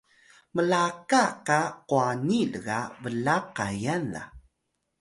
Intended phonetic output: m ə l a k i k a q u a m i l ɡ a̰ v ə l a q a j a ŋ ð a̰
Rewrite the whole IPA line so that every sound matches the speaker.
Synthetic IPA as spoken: m ə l a k a k a q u a n i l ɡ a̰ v ə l a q a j a n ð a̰